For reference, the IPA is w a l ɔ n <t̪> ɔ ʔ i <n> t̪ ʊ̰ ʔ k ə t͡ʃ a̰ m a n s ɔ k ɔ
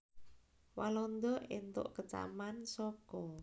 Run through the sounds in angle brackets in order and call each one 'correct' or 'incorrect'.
incorrect, correct

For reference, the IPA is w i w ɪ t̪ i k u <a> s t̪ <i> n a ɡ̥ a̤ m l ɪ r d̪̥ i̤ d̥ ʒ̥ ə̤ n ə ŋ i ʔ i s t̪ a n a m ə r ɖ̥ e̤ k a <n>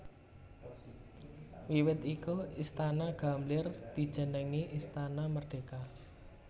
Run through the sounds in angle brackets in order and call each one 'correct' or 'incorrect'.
incorrect, incorrect, incorrect

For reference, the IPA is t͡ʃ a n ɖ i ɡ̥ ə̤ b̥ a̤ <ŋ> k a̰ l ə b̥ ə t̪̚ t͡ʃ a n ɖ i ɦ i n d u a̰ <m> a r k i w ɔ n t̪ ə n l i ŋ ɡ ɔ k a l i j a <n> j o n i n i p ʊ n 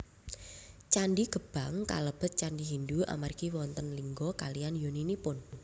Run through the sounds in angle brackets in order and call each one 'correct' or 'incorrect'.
correct, correct, correct

